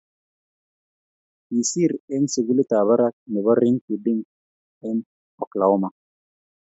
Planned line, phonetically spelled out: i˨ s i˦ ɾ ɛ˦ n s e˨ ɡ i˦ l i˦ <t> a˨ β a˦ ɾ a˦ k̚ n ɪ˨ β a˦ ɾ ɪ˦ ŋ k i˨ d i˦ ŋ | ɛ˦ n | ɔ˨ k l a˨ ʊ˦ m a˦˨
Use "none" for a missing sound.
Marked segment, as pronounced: t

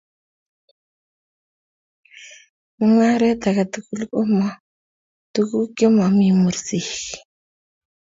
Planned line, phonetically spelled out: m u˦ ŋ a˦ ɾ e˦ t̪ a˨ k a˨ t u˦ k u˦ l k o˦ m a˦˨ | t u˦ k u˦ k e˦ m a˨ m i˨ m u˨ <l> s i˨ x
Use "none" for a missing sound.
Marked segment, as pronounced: ɾ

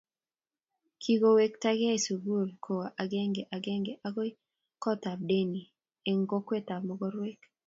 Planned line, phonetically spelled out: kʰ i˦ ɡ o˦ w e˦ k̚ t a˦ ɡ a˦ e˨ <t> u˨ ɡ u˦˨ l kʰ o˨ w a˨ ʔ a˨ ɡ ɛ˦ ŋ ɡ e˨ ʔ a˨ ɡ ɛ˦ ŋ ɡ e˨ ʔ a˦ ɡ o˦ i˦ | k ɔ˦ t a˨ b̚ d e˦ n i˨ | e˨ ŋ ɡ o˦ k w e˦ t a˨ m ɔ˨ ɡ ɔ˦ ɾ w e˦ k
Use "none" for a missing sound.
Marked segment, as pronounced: s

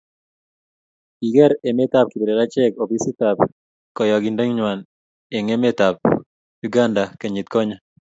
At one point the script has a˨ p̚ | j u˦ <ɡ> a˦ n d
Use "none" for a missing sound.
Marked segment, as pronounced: ɡ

